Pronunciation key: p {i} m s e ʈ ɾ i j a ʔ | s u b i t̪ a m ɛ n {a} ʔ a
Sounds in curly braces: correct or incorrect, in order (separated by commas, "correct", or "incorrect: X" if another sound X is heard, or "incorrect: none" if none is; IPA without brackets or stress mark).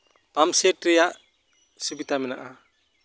incorrect: a, correct